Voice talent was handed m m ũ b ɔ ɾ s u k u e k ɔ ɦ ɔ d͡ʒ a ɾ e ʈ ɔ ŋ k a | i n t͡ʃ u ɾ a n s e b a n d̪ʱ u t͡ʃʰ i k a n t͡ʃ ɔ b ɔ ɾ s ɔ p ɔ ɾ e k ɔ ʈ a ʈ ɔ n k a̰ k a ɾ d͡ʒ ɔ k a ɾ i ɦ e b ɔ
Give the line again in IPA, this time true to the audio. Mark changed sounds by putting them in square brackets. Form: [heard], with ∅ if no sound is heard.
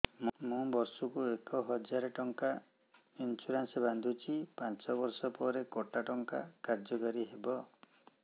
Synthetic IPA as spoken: m m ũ b ɔ ɾ s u k u e k ɔ ɦ ɔ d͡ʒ a ɾ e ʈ ɔ ŋ k a | i n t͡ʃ u ɾ a n s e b a n d̪ʱ u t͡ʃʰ i [p] a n t͡ʃ ɔ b ɔ ɾ s ɔ p ɔ ɾ e k ɔ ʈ a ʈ ɔ [ŋ] k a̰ k a ɾ d͡ʒ ɔ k a ɾ i ɦ e b ɔ